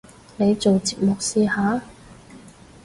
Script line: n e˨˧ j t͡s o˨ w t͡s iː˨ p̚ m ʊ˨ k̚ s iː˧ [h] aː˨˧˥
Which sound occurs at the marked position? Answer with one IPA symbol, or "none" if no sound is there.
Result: h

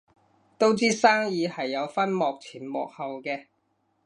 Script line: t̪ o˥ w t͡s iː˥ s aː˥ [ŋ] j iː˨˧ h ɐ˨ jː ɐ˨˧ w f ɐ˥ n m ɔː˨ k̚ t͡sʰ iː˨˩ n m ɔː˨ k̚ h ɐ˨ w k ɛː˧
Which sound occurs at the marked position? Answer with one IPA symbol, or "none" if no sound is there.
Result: ŋ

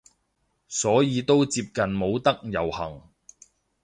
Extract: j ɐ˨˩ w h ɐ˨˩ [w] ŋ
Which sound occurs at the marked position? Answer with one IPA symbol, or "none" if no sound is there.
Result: none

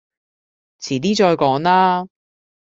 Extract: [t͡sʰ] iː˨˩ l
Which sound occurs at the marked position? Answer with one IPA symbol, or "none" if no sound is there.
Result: t͡sʰ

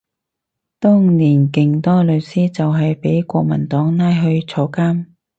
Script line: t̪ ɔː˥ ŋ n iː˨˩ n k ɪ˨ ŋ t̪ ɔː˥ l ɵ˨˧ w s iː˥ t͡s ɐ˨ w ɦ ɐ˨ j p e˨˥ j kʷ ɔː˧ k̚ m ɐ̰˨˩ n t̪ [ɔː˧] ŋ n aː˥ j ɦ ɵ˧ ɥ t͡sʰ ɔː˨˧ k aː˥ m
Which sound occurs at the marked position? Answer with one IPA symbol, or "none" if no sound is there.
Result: ɔː˨˥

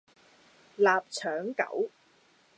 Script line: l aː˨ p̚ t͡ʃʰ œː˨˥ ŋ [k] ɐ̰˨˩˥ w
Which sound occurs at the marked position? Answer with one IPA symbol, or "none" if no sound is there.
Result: k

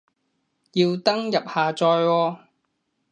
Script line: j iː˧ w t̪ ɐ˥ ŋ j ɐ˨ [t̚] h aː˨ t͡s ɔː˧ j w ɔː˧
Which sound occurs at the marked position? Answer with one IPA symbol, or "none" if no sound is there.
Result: p̚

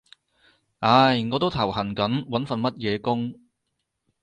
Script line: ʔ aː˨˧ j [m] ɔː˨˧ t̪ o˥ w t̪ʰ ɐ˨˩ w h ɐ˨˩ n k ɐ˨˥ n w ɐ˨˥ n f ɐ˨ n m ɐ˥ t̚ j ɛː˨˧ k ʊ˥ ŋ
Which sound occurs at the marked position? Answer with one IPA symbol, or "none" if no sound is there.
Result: ŋ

